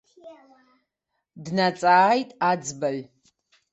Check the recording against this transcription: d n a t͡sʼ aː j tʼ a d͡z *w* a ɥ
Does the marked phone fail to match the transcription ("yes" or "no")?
yes